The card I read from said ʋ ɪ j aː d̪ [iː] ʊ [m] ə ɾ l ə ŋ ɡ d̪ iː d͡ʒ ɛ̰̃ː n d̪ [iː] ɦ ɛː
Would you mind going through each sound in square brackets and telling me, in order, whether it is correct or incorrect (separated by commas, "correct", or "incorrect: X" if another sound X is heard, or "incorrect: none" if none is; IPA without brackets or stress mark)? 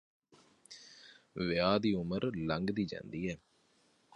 correct, correct, correct